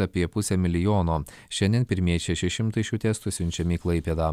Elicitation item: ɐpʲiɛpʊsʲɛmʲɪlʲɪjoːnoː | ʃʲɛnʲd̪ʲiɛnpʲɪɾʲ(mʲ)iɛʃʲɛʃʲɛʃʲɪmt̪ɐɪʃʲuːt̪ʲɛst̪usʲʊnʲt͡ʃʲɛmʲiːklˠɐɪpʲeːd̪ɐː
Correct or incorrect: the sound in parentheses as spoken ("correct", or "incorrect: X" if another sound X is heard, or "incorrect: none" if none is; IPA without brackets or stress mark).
correct